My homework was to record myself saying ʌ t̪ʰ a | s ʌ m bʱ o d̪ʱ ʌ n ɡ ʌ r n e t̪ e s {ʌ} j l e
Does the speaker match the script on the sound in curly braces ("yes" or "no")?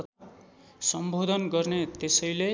yes